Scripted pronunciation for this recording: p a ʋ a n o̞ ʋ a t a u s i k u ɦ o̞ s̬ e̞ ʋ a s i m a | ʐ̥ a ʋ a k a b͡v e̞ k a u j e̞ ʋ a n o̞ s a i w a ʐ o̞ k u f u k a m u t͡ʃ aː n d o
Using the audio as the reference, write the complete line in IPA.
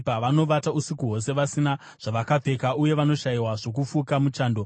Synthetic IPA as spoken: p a ʋ a n o̞ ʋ a t a u s i k u ɦ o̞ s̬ e̞ ʋ a s i n a | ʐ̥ a ʋ a k a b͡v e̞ k a u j e̞ ʋ a n o̞ ʃ a i w a ʐ o̞ k u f u k a m u t͡ʃ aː n d o